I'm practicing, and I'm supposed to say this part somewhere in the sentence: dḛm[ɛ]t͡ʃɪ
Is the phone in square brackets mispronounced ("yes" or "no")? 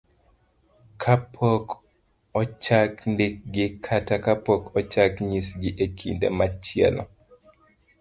yes